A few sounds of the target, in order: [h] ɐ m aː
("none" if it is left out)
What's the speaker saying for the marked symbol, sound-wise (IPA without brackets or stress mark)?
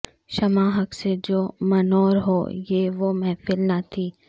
ʃ